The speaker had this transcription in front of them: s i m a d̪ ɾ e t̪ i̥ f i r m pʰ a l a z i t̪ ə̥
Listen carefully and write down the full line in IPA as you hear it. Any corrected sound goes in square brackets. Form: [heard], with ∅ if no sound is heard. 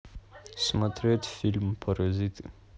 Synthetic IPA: s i m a [t̪] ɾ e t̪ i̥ f i [l] m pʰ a [ɾ] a z i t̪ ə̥